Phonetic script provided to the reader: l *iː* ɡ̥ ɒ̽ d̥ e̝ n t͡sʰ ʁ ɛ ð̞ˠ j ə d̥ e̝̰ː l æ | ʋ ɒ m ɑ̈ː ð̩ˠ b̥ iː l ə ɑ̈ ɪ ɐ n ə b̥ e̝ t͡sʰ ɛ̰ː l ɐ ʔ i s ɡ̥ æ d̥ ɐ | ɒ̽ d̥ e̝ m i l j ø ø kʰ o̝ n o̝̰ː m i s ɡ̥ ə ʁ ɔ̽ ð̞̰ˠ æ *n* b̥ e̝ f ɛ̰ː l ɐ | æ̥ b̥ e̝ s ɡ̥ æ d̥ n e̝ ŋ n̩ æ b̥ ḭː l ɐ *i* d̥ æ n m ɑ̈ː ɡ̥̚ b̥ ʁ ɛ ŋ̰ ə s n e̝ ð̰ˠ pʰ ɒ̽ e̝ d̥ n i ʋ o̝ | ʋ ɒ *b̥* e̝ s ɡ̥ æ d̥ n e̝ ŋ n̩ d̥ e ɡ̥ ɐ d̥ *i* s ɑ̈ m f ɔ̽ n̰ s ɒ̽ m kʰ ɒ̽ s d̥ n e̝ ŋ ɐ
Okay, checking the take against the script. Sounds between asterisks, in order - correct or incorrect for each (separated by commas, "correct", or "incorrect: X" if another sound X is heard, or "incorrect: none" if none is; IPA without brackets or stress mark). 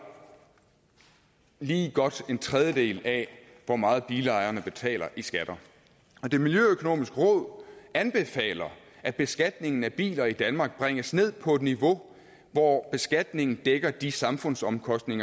correct, correct, correct, correct, correct